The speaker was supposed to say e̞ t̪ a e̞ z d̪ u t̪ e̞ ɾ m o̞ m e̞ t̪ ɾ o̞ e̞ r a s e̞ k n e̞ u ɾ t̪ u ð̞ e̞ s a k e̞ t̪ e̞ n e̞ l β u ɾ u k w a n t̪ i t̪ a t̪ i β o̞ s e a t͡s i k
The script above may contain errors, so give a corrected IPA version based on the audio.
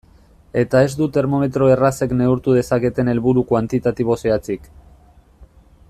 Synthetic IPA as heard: e̞ t̪ a e̞ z d̪ u t̪ e̞ ɾ m o̞ m e̞ t̪ ɾ o̞ e̞ r a s e̞ k n e̞ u ɾ t̪ u ð̞ e̞ s a k e̞ t̪ e̞ n e̞ l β u ɾ u k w a n t̪ i t̪ a t̪ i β o̞ s e a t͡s i k